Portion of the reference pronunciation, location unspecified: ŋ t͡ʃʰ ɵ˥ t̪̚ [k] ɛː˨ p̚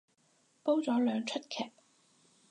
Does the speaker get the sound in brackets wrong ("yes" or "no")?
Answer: yes